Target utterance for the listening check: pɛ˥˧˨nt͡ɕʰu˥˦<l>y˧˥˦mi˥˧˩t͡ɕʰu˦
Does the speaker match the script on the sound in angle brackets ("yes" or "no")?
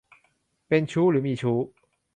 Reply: yes